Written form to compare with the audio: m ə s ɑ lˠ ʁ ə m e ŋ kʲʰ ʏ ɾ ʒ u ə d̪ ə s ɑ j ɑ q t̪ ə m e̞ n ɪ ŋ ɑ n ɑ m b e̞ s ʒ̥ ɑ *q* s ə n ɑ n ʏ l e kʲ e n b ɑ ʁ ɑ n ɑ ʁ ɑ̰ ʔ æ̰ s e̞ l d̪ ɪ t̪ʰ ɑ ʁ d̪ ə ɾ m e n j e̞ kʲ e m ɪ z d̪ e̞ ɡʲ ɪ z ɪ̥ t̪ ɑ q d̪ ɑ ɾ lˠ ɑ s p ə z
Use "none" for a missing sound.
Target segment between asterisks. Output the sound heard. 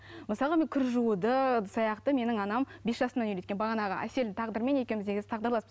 none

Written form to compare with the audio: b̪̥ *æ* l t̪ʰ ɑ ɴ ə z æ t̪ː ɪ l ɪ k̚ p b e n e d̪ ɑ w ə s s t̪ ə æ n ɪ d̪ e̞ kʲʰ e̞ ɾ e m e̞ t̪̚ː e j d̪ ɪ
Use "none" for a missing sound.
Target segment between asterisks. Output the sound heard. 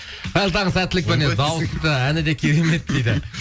æ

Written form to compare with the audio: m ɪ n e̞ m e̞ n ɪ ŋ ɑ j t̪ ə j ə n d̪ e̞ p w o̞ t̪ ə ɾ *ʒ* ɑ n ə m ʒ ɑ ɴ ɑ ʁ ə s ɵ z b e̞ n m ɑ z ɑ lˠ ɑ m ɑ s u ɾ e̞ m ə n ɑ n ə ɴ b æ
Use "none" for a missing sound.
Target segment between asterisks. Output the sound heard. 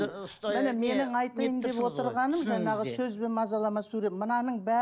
ʁ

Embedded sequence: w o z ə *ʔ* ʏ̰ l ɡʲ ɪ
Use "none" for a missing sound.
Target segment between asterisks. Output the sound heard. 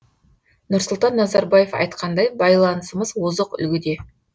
q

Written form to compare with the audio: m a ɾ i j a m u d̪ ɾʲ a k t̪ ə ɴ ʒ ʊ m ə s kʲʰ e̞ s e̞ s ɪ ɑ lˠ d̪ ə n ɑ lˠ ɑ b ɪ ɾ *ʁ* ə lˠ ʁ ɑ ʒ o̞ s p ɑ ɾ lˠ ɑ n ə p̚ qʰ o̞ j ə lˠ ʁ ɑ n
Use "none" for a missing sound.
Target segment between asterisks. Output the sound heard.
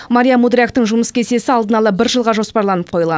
ʒ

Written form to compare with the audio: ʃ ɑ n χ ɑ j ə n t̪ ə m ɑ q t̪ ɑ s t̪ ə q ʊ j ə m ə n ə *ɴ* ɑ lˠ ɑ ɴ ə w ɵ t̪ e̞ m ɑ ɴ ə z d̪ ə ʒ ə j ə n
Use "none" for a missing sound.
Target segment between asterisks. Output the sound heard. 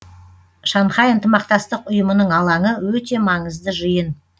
ɴ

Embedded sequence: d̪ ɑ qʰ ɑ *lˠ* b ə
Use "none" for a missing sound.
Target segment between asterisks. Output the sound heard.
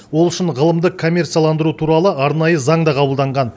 none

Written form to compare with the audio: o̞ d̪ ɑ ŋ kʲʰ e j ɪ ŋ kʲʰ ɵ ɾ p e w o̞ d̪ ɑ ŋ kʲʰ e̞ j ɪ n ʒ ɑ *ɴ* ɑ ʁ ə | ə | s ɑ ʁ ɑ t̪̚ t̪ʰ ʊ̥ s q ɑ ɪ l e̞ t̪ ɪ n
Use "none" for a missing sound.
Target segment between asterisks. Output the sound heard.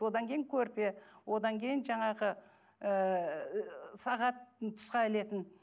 ɴ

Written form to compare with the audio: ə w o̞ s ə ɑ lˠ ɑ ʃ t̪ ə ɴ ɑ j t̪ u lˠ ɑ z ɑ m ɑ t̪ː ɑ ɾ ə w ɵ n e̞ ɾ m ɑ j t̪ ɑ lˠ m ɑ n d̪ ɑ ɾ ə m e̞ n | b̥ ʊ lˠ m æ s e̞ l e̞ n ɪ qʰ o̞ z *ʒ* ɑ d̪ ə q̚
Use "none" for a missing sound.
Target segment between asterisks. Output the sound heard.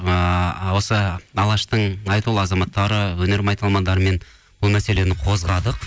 ʁ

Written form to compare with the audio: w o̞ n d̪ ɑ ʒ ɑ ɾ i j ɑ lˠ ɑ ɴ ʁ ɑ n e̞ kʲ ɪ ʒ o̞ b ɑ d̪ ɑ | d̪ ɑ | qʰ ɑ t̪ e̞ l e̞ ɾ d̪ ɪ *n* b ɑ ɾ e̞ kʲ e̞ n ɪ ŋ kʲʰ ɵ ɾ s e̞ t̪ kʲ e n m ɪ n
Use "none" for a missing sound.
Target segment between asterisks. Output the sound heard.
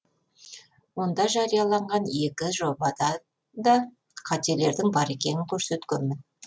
ŋ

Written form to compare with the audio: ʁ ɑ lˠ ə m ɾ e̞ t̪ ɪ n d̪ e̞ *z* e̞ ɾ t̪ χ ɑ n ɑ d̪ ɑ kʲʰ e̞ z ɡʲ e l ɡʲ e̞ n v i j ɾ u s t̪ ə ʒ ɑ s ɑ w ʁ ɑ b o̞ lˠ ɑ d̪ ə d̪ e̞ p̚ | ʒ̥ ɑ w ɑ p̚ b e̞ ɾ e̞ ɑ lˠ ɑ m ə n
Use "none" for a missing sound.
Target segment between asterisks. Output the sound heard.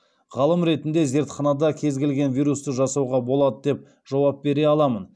z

